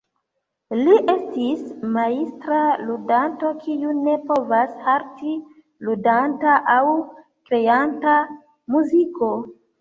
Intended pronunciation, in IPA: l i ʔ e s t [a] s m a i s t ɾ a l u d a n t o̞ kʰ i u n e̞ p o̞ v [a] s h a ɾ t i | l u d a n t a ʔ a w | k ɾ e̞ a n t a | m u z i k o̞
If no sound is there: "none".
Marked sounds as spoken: i, a

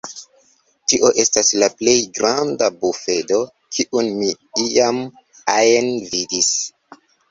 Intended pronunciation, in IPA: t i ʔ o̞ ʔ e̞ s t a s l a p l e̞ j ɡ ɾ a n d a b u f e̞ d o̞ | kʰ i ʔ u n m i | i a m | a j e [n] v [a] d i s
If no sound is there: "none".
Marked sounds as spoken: n, i

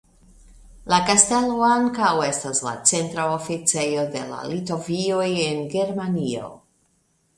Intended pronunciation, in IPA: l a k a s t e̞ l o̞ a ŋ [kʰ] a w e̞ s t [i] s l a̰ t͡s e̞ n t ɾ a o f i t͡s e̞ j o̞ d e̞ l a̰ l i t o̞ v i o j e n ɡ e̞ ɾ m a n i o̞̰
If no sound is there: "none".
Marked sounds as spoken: k, a

